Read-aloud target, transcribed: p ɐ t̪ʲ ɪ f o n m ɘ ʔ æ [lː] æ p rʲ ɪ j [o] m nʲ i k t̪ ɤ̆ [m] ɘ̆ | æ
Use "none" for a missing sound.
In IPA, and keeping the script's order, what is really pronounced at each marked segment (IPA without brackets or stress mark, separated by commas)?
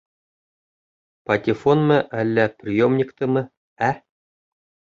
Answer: lː, o, m